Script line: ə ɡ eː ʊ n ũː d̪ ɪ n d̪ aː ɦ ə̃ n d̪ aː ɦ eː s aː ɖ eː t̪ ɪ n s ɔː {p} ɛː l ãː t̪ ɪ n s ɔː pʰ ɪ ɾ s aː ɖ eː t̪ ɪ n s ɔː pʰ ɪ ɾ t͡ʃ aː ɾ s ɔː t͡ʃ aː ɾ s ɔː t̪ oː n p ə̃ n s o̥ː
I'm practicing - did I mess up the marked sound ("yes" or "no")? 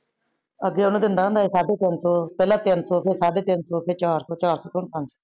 no